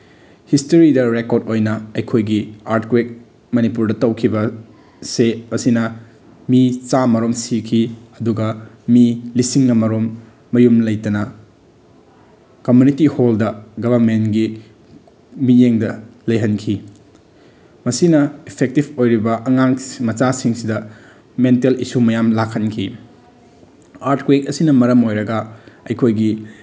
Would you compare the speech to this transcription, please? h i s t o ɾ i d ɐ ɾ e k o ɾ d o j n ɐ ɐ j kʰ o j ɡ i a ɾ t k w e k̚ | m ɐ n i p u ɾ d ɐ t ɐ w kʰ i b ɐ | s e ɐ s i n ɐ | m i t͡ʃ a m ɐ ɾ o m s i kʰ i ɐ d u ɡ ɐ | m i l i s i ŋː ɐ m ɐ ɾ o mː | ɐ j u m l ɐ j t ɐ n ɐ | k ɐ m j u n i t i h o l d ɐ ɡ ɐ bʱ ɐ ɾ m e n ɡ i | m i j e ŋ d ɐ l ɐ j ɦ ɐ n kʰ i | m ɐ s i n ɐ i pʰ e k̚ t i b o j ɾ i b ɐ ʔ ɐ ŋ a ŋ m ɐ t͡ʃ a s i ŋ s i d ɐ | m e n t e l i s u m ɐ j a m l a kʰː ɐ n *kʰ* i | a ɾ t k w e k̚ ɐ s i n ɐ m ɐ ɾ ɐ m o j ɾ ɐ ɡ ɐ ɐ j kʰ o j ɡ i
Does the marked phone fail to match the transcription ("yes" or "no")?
no